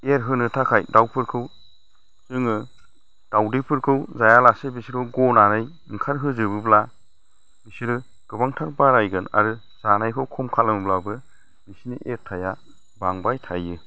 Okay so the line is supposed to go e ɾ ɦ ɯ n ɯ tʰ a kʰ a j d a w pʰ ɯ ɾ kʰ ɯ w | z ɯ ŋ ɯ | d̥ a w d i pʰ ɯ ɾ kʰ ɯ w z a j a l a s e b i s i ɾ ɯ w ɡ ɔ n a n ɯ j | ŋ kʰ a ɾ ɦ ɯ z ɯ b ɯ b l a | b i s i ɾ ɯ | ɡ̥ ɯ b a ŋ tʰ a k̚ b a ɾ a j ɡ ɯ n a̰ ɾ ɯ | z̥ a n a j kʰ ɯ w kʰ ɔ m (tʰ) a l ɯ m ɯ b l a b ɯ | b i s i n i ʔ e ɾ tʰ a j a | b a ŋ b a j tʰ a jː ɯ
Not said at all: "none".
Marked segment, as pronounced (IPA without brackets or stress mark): kʰ